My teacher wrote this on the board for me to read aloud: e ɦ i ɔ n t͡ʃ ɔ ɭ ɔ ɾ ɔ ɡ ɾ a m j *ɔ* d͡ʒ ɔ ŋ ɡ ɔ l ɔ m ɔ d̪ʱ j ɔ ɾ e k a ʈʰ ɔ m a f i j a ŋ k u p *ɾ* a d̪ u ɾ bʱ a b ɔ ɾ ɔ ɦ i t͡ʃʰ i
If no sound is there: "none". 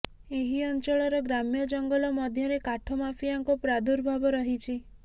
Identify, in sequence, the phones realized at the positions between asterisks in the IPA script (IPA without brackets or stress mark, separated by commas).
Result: ɔ, ɾ